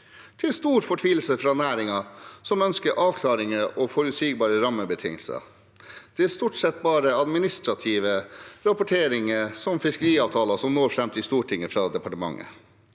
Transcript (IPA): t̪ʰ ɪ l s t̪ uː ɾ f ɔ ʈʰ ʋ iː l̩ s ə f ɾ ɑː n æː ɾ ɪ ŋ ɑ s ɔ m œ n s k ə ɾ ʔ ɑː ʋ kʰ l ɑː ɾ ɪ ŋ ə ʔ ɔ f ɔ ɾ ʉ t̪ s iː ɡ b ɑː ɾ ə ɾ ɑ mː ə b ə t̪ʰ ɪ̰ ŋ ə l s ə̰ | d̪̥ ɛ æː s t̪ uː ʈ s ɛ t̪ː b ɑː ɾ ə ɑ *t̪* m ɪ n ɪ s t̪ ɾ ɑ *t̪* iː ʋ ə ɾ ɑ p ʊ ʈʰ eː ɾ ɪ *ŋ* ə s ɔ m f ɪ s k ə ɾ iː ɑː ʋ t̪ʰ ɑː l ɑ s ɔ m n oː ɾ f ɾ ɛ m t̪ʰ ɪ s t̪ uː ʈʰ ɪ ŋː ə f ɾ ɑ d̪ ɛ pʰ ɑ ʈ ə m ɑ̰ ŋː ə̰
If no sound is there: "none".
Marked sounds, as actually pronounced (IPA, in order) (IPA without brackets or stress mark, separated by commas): d̪, t̪ʰ, ŋ